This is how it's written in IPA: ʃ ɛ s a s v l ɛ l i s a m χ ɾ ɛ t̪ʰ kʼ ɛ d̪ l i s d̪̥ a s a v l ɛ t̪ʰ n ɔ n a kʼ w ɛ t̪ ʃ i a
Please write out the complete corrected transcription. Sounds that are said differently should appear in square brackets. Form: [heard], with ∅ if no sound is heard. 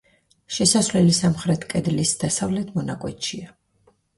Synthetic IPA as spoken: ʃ ɛ s a s v l ɛ l i s a m χ ɾ ɛ t̪ʰ kʼ ɛ d̪ l i s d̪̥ a s a v l ɛ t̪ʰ [m] ɔ n a kʼ w ɛ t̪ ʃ i a